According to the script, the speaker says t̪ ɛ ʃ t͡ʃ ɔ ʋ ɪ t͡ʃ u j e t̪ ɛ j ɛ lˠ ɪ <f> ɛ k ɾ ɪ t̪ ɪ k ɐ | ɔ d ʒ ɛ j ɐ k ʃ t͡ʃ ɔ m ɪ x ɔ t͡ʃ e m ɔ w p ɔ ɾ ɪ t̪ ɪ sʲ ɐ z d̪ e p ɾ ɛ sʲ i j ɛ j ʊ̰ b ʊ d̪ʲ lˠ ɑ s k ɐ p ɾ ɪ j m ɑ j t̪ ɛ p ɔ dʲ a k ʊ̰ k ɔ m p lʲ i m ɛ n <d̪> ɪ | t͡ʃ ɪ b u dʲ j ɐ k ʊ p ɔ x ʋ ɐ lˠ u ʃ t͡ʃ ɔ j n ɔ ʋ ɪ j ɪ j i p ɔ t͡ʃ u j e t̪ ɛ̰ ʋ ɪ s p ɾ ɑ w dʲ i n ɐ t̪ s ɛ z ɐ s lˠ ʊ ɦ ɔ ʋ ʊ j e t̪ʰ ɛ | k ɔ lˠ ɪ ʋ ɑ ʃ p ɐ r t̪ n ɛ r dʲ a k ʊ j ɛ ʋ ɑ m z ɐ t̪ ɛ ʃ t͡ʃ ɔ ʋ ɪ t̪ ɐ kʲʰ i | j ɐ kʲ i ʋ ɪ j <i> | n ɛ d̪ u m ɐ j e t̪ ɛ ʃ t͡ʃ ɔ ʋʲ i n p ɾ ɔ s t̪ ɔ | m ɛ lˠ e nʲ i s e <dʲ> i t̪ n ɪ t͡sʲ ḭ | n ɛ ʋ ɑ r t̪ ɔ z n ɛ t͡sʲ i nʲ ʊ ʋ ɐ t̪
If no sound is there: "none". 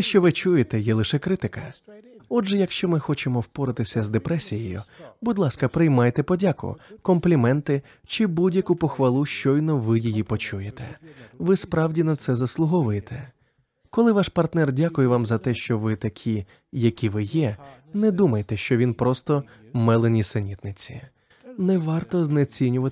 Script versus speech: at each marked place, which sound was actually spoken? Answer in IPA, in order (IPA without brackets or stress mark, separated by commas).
ʃ, t̪, ɛ, nʲ